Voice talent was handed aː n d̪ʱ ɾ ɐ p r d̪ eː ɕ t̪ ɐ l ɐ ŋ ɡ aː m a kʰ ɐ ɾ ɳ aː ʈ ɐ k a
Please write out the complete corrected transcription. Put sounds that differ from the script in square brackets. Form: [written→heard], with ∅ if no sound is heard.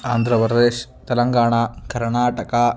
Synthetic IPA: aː n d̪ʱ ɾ ɐ p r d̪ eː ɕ t̪ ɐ l ɐ ŋ ɡ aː [m→ɳ] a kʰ ɐ ɾ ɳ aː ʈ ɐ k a